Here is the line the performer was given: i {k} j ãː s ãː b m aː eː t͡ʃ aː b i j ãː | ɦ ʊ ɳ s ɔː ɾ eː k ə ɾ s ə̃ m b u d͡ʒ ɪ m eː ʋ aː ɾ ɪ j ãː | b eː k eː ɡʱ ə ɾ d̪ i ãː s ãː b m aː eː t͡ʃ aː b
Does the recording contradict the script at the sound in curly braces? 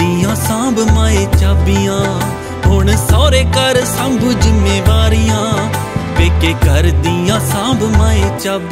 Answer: yes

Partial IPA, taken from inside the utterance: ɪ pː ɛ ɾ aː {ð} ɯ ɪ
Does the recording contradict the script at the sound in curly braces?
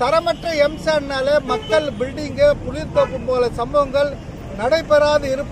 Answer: no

